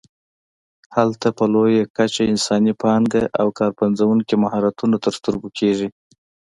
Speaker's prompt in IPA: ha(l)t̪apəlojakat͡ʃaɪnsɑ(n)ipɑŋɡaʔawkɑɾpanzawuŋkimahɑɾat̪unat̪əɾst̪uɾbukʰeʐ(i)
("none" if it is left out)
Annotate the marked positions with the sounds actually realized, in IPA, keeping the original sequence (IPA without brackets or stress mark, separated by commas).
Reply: l, n, i